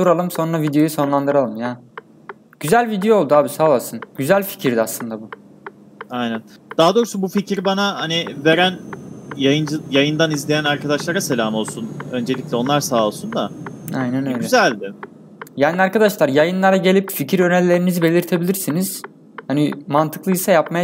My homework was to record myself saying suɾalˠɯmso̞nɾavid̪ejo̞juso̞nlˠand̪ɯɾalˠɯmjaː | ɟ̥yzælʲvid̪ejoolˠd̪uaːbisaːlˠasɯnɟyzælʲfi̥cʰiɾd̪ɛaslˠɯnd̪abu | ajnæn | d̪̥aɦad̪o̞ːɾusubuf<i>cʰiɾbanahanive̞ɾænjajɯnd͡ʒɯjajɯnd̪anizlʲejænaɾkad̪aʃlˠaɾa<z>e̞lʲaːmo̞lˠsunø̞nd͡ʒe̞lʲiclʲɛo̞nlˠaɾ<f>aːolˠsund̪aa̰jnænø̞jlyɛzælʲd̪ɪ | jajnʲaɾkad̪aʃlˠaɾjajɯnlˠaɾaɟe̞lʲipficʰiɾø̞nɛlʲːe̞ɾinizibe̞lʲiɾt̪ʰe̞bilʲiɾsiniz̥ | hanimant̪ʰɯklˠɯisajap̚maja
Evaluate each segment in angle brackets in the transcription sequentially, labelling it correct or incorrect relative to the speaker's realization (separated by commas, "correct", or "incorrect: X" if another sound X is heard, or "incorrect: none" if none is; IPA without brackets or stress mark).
correct, incorrect: s, incorrect: s